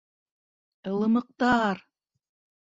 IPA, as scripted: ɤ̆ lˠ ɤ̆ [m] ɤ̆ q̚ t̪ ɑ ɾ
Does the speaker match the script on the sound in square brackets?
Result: yes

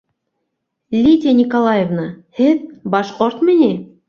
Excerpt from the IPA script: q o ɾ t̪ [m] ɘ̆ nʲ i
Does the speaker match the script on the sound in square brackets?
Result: yes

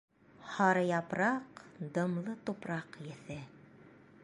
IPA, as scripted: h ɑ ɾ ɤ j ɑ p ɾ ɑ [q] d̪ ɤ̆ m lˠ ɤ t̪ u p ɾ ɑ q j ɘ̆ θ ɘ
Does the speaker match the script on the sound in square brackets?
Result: yes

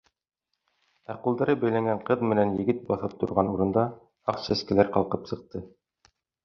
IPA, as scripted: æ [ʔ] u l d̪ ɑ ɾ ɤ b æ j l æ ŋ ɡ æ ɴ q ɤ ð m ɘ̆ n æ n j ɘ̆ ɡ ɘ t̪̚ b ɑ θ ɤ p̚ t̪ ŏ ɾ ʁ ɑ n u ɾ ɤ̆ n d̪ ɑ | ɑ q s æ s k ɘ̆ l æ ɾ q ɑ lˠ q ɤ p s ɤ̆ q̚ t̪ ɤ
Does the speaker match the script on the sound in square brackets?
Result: no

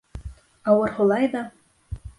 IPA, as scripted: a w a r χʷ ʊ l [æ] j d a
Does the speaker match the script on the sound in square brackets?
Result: no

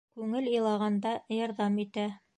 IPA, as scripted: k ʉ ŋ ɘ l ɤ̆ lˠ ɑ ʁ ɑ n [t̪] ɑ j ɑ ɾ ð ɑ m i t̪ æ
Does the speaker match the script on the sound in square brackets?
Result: no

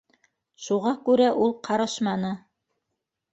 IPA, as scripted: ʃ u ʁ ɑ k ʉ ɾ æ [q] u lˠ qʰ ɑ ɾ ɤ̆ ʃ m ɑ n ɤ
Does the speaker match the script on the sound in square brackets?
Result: no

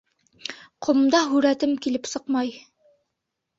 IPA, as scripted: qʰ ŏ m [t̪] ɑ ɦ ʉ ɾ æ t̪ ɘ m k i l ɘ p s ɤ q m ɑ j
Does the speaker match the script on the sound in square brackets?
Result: no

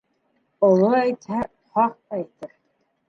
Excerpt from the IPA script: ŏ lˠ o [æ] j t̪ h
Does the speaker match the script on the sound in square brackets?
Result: yes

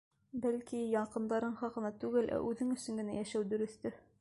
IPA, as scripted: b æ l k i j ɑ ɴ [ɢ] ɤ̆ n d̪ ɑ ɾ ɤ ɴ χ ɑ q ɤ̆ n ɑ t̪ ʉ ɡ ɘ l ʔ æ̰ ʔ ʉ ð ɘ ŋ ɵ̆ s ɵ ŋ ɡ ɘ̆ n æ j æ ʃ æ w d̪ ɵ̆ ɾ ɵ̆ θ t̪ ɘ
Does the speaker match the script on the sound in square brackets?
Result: no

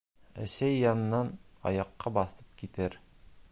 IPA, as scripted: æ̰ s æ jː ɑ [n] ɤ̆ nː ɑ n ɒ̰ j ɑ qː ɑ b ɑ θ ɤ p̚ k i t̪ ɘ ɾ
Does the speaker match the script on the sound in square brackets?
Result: yes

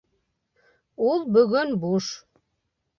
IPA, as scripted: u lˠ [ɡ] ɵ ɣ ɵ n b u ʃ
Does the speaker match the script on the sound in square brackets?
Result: no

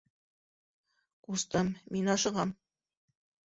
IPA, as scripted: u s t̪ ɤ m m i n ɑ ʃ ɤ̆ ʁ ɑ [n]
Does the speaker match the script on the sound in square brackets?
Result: no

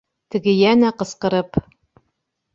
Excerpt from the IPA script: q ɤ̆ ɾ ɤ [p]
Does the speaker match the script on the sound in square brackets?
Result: yes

